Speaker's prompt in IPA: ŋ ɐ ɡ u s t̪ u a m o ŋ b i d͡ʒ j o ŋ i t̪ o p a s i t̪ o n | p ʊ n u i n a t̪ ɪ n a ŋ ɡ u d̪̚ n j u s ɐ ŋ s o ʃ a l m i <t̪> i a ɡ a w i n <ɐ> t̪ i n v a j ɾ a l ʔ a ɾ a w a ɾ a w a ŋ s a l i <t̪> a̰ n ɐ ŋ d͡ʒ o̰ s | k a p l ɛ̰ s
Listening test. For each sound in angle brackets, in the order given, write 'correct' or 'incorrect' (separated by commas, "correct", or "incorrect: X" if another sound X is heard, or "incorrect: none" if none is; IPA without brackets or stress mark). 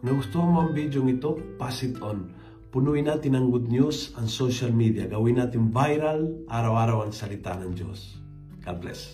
incorrect: d̪, incorrect: a, correct